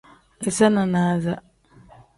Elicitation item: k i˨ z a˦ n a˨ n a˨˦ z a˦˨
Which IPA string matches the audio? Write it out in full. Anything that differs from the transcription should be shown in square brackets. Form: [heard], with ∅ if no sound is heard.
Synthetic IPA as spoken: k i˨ [s] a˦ n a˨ n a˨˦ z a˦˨